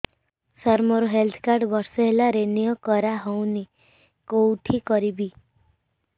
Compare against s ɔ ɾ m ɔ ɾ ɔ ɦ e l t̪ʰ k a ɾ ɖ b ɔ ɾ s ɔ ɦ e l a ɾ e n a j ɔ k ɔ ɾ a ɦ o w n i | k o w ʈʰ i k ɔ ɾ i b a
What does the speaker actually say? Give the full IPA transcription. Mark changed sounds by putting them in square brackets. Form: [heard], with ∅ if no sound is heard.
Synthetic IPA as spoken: s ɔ ɾ m ɔ ɾ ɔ ɦ e l t̪ʰ k a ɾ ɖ b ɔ ɾ s ɔ ɦ e l a ɾ e n [i] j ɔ k ɔ ɾ a ɦ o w n i | k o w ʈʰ i k ɔ ɾ i b [i]